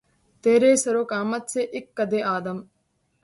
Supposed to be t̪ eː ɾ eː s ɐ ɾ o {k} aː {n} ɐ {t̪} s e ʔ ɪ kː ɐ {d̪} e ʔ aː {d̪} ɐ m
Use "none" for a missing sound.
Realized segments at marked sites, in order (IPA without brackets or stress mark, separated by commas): k, m, t̪, d̪, d̪